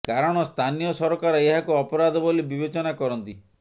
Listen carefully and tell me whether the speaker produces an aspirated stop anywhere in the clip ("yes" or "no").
yes